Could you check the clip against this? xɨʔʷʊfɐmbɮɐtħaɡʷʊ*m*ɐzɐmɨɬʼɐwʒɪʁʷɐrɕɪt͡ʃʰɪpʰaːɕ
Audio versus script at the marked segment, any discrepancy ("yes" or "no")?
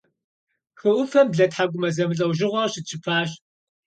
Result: no